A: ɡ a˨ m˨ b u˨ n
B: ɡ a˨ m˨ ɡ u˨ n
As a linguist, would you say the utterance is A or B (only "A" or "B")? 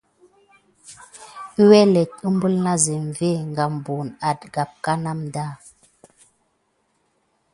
A